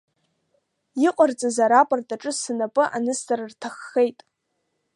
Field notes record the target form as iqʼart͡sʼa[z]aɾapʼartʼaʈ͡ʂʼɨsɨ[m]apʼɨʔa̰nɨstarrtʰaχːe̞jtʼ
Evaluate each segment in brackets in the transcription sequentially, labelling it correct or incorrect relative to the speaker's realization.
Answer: correct, incorrect: n

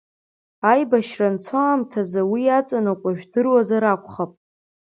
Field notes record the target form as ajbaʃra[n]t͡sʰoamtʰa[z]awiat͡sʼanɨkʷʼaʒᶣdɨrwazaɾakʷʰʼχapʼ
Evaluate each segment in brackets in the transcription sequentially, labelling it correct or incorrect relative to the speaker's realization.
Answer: correct, correct

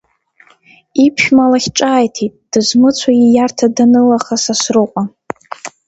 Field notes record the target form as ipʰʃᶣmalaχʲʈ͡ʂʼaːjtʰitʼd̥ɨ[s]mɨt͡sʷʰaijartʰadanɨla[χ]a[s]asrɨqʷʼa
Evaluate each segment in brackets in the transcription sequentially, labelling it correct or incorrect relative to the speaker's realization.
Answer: incorrect: z, correct, correct

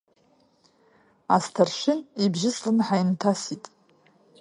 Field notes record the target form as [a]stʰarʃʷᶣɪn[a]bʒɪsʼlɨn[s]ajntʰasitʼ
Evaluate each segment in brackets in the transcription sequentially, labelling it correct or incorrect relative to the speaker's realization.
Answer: correct, incorrect: i, incorrect: ħ

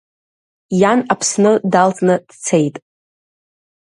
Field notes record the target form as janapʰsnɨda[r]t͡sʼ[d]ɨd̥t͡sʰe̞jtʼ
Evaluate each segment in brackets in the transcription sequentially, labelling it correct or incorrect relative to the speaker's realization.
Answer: incorrect: l, incorrect: n

